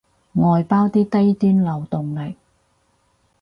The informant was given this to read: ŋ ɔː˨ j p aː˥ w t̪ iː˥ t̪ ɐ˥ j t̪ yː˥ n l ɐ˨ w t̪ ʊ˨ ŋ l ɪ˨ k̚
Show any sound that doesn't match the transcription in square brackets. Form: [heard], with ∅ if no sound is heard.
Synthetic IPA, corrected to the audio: ŋ ɔː˨ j p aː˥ w t̪ iː˥ t̪ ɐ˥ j t̪ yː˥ n l ɐ˨ w t̪ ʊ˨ ŋ l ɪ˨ k̚